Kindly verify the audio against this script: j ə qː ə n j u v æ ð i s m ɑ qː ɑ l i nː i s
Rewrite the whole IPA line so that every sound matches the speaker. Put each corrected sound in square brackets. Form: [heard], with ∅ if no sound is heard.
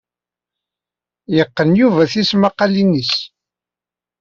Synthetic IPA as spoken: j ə qː ə n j u v æ [θ] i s m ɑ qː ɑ l i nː i s